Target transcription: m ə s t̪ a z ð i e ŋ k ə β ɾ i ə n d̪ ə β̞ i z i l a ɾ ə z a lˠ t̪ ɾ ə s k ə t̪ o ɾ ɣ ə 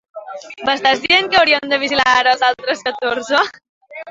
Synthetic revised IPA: m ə s t̪ a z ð i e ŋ k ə w ɾ i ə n d̪ ə β̞ i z i l a ɾ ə z a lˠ t̪ ɾ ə s k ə t̪ o ɾ z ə